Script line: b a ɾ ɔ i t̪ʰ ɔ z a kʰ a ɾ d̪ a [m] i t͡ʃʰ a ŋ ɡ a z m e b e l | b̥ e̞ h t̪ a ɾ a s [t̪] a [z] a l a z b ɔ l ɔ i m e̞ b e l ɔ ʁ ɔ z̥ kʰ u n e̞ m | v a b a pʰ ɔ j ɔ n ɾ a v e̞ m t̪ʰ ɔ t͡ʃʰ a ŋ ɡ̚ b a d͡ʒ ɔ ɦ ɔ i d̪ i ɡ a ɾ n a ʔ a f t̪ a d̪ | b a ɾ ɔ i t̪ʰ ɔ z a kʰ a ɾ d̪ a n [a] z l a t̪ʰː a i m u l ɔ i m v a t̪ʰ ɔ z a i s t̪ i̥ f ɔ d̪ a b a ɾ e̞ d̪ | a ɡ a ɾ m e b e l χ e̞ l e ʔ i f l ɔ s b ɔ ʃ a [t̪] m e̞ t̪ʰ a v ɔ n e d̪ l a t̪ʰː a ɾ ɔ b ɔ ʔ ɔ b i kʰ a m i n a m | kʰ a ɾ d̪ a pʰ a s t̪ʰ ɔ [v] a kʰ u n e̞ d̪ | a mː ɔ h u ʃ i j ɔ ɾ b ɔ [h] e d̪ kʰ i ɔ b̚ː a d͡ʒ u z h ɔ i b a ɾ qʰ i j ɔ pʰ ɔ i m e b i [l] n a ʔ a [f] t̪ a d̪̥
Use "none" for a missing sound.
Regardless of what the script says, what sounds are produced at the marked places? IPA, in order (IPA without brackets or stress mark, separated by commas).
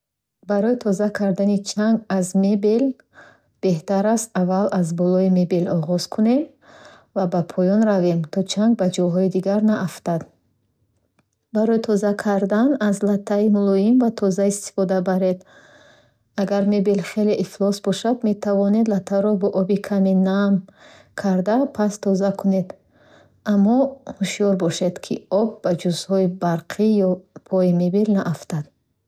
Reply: n, t̪, v, a, d̪, z, ʃ, l, f